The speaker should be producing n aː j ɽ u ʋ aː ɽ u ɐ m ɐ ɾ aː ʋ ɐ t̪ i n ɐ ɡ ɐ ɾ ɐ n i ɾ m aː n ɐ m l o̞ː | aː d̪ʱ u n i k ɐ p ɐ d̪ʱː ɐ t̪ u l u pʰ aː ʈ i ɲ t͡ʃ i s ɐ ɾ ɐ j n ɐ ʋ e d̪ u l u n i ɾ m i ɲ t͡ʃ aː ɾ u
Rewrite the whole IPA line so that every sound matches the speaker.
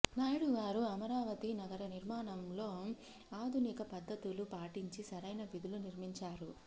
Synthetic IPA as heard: n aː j ɽ u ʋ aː ɾ u ɐ m ɐ ɾ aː ʋ ɐ t̪ i n ɐ ɡ ɐ ɾ ɐ n i ɾ m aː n ɐ m l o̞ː | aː d̪ʱ u n i k ɐ p ɐ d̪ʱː ɐ t̪ u l u p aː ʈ i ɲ t͡ʃ i s ɐ ɾ ɐ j n ɐ ʋ i d̪ u l u n i ɾ m i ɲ t͡ʃ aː ɾ u